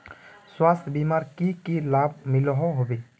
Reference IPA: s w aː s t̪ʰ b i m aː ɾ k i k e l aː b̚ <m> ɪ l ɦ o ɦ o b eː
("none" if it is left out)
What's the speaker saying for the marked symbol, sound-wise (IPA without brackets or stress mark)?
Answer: m